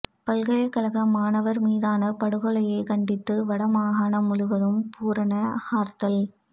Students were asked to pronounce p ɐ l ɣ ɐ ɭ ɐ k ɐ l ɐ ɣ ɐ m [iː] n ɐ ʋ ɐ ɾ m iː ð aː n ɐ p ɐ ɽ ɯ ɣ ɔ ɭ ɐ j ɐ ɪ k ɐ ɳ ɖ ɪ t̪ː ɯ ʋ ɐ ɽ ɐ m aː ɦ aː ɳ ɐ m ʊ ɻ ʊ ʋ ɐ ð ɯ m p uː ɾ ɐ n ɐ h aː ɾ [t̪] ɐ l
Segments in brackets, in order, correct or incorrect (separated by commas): incorrect, correct